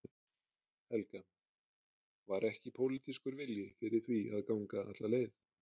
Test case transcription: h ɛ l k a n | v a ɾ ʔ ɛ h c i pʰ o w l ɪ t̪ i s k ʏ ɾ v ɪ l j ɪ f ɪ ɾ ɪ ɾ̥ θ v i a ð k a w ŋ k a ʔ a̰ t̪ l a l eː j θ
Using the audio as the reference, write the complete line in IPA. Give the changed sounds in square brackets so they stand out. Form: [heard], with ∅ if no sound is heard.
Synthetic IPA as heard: h ɛ l k a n | v a ɾ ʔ ɛ h c [ɪ] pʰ o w l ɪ t̪ i s k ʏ ɾ v ɪ l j ɪ f ɪ ɾ ɪ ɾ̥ θ v i a ð k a w ŋ k a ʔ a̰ t̪ l a l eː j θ